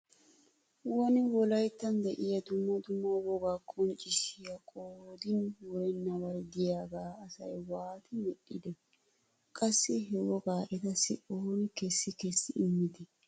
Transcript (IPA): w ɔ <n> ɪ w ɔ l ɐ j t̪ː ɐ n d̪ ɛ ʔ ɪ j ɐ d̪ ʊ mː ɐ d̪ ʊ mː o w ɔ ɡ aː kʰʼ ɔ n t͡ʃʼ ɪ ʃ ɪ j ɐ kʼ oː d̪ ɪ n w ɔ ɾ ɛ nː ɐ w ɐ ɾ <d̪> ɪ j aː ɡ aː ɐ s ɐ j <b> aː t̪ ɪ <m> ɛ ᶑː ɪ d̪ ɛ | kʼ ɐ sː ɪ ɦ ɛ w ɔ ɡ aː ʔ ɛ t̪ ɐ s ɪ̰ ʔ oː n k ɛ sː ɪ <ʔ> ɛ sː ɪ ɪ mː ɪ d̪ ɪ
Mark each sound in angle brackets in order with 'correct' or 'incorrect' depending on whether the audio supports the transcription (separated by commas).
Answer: correct, correct, incorrect, correct, incorrect